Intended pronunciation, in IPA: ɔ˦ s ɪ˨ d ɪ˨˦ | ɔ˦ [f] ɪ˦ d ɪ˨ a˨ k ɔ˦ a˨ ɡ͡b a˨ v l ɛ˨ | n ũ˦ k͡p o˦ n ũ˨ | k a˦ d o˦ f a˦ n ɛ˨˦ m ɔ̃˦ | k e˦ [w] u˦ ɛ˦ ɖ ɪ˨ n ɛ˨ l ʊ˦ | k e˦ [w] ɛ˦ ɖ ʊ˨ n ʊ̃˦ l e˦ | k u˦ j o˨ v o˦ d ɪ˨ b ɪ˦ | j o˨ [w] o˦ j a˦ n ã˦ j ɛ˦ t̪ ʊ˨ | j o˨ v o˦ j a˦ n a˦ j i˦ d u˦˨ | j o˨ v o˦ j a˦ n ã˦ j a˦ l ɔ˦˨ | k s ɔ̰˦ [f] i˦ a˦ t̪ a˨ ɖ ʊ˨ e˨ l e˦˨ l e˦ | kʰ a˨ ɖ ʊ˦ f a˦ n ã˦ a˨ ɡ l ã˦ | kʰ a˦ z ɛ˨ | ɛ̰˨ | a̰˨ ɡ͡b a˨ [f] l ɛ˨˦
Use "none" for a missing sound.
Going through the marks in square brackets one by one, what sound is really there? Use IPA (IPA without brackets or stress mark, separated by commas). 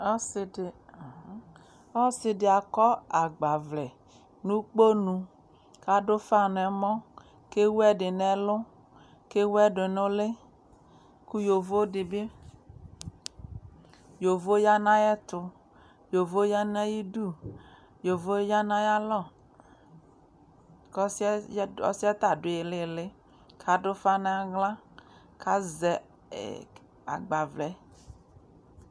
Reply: s, w, w, v, s, v